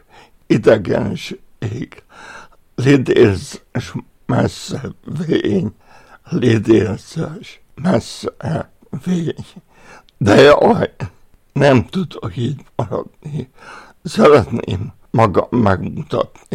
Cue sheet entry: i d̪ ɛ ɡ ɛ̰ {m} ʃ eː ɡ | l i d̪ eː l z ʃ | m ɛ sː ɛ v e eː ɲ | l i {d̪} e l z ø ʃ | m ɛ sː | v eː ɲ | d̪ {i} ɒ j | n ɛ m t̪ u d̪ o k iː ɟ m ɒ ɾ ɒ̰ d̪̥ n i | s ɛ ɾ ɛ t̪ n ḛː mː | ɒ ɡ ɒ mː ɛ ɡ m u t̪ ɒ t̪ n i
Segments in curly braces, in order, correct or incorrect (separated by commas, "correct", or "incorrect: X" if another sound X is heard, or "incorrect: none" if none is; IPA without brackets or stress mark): incorrect: n, correct, incorrect: ɛ